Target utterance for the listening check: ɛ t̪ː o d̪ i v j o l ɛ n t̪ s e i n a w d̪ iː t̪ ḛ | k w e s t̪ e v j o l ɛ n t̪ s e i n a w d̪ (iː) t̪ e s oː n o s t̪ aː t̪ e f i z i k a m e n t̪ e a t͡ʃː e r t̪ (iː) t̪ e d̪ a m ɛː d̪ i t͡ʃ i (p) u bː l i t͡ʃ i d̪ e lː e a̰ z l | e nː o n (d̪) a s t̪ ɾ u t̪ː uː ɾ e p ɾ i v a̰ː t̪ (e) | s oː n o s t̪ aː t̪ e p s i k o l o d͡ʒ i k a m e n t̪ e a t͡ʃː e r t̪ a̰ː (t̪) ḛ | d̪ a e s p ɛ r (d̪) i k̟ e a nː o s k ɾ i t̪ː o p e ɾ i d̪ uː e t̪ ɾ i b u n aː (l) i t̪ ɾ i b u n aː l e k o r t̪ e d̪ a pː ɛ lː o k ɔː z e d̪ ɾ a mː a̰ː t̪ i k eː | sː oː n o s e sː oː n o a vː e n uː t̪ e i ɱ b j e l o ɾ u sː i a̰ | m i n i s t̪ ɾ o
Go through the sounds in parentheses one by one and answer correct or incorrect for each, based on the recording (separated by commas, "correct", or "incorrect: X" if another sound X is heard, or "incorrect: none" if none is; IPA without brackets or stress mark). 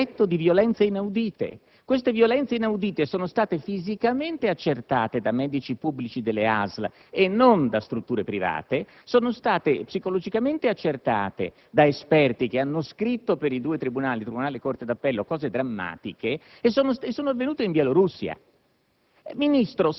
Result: correct, incorrect: aː, correct, correct, correct, correct, incorrect: t̪, correct